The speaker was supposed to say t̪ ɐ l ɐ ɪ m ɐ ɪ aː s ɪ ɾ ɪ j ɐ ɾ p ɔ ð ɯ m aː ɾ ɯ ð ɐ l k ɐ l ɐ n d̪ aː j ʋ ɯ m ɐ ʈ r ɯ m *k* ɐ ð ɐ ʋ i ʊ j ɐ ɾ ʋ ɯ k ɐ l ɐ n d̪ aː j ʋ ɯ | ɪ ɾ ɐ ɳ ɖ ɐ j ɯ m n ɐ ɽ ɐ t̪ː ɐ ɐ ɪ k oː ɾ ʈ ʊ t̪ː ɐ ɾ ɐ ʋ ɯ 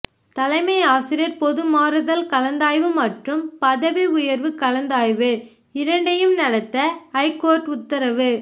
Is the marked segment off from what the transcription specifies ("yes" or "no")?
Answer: yes